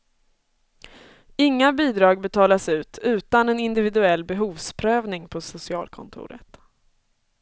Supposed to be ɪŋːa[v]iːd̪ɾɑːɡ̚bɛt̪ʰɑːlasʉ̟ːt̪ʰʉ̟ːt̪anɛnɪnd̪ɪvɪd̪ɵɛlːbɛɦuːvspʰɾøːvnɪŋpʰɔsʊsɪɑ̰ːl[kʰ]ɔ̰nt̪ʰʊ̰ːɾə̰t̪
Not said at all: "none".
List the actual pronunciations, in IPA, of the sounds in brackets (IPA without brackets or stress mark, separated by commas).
b, kʰ